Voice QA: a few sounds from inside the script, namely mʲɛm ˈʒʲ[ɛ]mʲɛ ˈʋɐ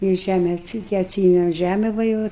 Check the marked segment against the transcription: incorrect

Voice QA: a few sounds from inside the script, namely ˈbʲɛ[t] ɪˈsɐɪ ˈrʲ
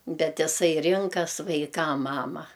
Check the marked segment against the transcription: correct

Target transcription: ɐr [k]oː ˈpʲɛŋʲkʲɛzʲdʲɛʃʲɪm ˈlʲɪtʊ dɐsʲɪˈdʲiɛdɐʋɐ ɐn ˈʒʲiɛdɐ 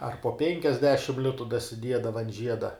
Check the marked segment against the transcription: incorrect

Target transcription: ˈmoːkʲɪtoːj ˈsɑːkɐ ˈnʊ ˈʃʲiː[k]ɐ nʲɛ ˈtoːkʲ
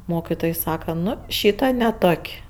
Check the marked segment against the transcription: incorrect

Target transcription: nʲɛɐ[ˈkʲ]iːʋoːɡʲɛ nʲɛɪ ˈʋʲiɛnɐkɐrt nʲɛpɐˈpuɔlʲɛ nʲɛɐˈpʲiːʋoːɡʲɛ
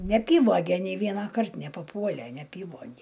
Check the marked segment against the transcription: incorrect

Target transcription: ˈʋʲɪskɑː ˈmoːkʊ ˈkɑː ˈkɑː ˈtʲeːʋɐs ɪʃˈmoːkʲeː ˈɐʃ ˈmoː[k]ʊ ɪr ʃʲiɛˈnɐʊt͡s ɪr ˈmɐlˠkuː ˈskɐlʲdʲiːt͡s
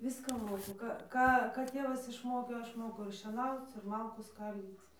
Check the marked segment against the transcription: correct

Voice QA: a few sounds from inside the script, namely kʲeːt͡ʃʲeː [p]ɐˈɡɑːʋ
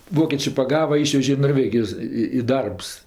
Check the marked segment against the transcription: correct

